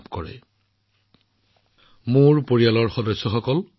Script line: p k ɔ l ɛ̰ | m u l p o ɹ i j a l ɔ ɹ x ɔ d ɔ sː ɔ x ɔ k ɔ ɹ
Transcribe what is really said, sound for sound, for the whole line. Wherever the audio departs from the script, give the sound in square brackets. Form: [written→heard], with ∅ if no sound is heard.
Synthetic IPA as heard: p k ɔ [l→ɹ] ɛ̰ | m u [l→ɹ] p o ɹ i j a l ɔ ɹ x ɔ d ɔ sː ɔ x ɔ k ɔ [ɹ→l]